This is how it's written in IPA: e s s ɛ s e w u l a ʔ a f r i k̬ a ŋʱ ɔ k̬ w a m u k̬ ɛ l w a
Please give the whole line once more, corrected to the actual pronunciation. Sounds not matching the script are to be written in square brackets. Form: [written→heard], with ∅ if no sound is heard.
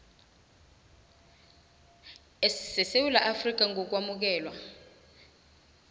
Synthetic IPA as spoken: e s s ɛ s e w u l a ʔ a f r i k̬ a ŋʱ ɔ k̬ w a m u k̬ [ɛ→ɛː] l w a